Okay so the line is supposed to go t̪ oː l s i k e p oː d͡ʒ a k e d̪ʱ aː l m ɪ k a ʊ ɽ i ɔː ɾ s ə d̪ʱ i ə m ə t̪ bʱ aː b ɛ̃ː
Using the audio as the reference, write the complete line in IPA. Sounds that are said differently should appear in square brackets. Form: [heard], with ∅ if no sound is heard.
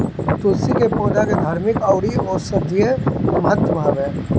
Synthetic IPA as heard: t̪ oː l s i k e p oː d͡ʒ a k e d̪ʱ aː [ɾ] m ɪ k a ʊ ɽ i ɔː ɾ s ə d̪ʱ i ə m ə t̪ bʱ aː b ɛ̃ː